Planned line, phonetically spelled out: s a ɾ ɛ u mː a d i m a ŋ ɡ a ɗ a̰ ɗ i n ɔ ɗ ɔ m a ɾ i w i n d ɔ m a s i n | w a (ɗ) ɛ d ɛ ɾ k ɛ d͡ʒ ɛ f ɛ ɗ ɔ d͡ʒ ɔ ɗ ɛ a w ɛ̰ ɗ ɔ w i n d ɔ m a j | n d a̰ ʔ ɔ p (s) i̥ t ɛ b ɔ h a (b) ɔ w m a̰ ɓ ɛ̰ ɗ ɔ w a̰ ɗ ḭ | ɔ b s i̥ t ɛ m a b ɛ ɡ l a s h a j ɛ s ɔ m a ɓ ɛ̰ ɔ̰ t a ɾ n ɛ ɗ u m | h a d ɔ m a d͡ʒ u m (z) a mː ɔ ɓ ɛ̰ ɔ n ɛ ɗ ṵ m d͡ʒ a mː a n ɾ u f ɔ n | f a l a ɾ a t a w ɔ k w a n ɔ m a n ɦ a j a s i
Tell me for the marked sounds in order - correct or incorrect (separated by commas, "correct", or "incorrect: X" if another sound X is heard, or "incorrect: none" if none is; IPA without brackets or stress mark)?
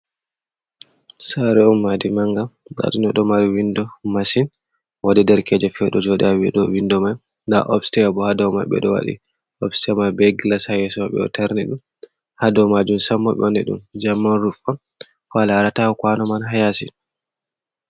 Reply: incorrect: d, correct, incorrect: d, incorrect: s